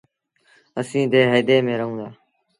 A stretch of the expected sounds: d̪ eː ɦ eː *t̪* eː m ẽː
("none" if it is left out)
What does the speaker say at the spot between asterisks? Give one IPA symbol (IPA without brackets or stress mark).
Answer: d̪